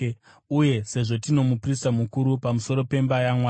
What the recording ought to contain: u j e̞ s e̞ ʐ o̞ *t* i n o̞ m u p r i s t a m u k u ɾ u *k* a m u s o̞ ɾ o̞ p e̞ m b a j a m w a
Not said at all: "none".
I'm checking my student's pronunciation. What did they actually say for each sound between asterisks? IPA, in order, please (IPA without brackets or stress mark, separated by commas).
t, p